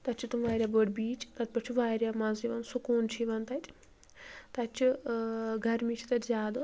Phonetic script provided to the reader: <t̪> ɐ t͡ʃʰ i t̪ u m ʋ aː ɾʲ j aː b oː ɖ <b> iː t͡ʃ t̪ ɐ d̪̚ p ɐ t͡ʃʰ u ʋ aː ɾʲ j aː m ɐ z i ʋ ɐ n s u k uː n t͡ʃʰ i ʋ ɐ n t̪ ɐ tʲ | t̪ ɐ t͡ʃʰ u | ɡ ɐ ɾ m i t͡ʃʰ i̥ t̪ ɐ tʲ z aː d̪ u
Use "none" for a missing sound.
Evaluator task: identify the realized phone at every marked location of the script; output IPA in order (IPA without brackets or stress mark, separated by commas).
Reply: t̪, b